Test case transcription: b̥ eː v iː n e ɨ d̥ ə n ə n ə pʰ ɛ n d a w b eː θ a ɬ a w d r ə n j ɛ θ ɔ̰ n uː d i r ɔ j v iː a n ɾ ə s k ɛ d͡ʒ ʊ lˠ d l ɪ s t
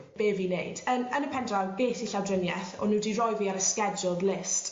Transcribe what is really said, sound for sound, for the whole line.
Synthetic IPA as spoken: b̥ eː v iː n e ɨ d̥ ə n ə n ə pʰ ɛ n d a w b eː θ i ɬ a w d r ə n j ɛ θ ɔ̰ n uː d i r ɔ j v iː a ɾ ə s k ɛ d͡ʒ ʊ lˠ d l ɪ s t